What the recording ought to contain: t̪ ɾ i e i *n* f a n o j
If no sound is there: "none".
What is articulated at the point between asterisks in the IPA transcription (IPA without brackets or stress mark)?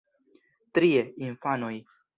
n